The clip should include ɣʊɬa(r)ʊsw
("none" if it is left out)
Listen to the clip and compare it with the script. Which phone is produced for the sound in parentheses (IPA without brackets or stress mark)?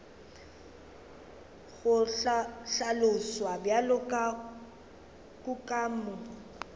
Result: l